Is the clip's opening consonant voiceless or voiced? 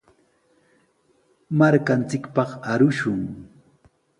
voiced